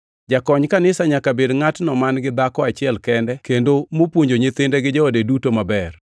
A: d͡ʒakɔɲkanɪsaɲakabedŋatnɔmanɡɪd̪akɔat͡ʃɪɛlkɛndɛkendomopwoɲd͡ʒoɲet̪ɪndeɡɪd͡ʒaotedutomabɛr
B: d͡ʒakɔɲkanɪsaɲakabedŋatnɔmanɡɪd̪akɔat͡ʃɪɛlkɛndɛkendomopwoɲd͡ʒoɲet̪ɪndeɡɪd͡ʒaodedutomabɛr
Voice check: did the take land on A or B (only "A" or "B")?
B